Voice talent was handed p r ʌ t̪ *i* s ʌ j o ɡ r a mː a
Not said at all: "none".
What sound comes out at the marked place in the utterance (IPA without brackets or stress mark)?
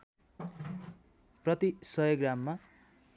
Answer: i